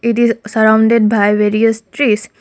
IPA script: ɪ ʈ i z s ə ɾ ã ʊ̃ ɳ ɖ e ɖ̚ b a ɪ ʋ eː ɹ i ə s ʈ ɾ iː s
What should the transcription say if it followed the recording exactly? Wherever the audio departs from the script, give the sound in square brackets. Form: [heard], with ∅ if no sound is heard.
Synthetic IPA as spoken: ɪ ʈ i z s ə ɾ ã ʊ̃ ɳ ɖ e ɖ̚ b a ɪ ʋ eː [ɾ] i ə s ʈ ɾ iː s